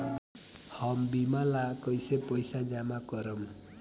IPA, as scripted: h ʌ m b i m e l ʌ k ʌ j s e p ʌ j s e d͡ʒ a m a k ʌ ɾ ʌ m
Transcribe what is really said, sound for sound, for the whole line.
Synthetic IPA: h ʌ m b i m a l a k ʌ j s e p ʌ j s a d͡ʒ a m a k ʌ ɾ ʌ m